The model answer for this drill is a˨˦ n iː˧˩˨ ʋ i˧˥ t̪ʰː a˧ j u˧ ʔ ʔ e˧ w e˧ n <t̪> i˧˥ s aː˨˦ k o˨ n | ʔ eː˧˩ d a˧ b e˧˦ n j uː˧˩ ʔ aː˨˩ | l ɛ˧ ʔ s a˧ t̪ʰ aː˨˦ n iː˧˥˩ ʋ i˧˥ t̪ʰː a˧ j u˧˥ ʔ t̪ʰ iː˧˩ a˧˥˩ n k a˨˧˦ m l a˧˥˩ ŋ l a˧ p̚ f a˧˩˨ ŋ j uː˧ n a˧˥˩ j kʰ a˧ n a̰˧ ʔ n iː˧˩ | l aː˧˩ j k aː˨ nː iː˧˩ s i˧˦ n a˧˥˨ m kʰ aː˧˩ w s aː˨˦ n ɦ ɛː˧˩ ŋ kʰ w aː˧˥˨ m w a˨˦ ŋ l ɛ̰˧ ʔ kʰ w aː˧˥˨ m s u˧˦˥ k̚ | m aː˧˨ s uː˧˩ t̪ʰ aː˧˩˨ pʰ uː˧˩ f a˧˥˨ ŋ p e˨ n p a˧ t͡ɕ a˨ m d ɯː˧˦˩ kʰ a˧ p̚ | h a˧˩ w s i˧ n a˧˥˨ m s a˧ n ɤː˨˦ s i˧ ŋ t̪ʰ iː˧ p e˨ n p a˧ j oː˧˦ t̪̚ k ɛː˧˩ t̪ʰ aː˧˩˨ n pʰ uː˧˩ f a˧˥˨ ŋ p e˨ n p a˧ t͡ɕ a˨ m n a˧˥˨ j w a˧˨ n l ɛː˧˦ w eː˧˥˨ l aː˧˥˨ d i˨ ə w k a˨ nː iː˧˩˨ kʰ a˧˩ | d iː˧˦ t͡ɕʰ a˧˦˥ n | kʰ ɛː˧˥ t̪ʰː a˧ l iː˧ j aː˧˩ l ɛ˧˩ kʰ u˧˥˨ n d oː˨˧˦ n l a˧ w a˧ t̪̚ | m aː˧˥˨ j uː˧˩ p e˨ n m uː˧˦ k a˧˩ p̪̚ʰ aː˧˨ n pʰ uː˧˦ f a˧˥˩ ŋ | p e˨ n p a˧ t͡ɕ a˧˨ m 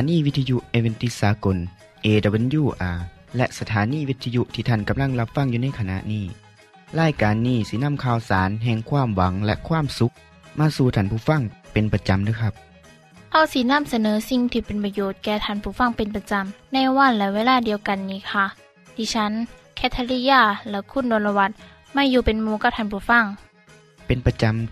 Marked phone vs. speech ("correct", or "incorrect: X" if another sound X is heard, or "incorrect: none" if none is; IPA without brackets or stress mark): correct